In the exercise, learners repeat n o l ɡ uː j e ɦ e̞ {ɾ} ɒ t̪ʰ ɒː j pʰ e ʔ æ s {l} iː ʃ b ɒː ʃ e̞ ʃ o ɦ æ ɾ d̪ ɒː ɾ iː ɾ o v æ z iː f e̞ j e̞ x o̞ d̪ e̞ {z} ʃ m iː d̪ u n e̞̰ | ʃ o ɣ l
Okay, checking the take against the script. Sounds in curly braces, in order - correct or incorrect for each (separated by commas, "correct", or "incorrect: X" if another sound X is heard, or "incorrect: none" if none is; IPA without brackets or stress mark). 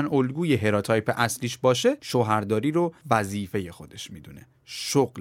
correct, correct, incorrect: none